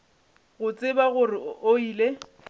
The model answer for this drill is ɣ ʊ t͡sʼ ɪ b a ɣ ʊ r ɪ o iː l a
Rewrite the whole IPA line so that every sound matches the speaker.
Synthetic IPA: ɣ ʊ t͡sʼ ɪ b a ɣ ʊ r ɪ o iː l e

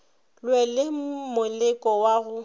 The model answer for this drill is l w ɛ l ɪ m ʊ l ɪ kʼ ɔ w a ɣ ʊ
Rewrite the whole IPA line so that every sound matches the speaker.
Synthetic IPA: l w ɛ l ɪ m ʊ l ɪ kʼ ɔ w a ɣ ʊ

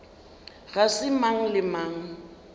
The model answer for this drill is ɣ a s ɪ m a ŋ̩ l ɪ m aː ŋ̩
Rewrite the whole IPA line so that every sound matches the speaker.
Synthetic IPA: ɣ a s ɪ m a ŋ̩ l ɪ m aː ŋ̩

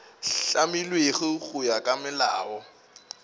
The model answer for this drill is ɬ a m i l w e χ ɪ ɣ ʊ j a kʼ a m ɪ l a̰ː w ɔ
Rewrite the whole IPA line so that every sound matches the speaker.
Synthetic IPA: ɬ a m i l w e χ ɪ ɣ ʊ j a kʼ a m ɪ l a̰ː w ɔ

